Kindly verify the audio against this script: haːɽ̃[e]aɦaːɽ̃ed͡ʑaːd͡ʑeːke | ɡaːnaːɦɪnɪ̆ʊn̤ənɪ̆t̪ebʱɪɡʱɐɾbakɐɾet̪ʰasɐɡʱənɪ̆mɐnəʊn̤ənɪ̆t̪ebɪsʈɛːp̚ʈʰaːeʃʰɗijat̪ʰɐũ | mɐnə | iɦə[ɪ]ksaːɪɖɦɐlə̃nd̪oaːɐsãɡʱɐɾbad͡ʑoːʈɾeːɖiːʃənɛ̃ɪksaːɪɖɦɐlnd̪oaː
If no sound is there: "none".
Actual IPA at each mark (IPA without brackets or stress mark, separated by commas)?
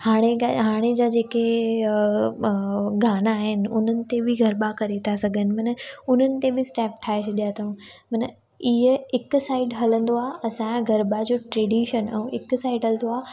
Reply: e, ɪ